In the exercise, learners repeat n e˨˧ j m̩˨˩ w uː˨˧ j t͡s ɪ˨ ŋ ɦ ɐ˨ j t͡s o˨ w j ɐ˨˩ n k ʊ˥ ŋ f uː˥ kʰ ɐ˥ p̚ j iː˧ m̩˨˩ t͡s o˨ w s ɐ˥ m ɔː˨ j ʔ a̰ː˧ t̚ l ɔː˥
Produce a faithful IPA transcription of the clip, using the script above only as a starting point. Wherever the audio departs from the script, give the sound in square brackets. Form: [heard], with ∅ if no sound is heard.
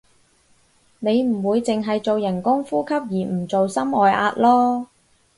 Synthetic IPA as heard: n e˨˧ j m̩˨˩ w uː˨˧ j t͡s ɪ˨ ŋ ɦ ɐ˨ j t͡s o˨ w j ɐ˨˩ n k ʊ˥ ŋ f uː˥ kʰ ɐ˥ p̚ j [iː˨˩] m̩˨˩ t͡s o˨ w s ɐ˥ m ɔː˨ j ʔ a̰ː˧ t̚ l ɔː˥